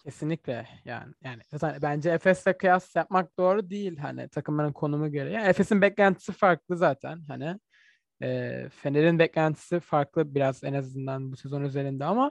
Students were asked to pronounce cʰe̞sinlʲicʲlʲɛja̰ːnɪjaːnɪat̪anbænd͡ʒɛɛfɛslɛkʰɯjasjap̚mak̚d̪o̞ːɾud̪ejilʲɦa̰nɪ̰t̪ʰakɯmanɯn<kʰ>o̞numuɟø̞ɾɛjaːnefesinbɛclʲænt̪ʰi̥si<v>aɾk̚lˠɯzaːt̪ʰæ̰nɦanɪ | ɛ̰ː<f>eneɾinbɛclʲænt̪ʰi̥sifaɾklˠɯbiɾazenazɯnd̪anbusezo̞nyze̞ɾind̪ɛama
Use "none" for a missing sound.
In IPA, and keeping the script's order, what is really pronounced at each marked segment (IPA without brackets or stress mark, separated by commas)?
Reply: kʰ, f, f